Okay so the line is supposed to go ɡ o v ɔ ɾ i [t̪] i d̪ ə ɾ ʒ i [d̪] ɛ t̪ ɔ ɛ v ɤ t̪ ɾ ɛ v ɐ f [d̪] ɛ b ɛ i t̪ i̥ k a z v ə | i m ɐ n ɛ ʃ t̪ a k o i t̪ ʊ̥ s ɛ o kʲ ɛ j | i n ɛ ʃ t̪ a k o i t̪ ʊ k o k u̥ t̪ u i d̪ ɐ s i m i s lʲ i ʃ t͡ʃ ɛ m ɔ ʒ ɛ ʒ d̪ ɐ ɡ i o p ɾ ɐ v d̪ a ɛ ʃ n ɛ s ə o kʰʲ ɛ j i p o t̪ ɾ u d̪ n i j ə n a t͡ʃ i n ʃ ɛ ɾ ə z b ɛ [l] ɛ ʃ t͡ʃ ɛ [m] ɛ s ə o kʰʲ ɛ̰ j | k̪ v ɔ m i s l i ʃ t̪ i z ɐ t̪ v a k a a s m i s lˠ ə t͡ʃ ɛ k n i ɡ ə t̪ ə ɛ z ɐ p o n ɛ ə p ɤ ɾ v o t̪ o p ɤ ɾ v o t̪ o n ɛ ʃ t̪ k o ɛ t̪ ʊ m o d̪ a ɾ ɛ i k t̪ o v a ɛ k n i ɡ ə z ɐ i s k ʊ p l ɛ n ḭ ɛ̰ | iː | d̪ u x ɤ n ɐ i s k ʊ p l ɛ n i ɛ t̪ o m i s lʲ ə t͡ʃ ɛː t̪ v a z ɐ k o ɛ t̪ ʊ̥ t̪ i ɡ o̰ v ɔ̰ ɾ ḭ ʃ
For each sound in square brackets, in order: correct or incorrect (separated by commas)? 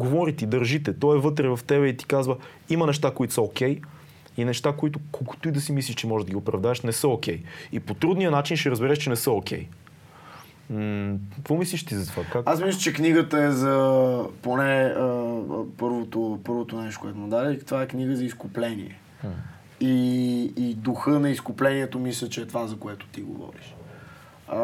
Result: correct, incorrect, incorrect, incorrect, incorrect